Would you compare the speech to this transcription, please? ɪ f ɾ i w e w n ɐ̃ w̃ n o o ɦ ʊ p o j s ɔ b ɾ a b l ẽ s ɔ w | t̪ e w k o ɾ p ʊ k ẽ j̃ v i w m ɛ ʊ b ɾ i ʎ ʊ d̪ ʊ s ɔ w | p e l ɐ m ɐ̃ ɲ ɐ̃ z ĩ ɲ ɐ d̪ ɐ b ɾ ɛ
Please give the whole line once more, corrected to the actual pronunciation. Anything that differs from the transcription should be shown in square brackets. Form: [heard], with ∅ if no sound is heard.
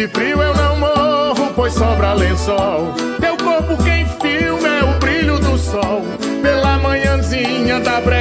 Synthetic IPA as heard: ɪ f ɾ i w e w n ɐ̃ w̃ [m] o o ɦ ʊ p o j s ɔ b ɾ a [∅] l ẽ s ɔ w | t̪ e w k o ɾ p ʊ k ẽ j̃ [f] i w m ɛ ʊ b ɾ i ʎ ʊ d̪ ʊ s ɔ w | p e l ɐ m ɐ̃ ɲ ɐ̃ z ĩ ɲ ɐ d̪ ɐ b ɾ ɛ